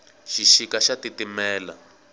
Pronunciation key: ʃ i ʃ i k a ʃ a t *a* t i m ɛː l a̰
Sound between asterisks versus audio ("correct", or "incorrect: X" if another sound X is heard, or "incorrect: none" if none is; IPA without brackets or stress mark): incorrect: i